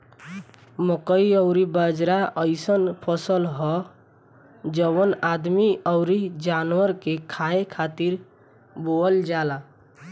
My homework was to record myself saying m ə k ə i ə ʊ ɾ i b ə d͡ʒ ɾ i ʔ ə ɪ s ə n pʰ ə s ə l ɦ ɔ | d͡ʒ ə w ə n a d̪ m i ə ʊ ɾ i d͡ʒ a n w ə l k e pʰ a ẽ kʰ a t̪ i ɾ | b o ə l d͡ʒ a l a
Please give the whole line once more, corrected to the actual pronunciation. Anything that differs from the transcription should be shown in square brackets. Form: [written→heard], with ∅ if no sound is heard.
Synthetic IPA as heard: m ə k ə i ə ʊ ɾ i b ə d͡ʒ ɾ [i→a] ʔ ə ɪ s ə n pʰ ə s ə l ɦ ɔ | d͡ʒ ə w ə n a d̪ m i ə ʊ ɾ i d͡ʒ a n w ə [l→ɾ] k e [pʰ→kʰ] a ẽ kʰ a t̪ i ɾ | b o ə l d͡ʒ a l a